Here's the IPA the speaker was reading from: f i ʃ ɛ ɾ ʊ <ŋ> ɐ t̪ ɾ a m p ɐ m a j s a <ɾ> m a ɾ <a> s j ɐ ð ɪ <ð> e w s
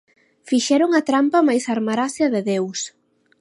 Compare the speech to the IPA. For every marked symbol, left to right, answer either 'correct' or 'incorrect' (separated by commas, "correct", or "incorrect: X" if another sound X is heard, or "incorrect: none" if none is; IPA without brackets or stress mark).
correct, correct, correct, correct